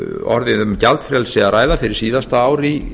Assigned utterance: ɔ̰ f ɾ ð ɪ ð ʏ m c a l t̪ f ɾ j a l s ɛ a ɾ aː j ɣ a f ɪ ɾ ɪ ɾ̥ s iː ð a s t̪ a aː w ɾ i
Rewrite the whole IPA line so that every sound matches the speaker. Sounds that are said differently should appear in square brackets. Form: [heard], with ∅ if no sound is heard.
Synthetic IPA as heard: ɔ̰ [∅] ɾ ð ɪ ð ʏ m c a l t̪ f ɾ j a l s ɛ a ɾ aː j [ð] a f ɪ ɾ ɪ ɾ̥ s iː ð a s t̪ a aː w ɾ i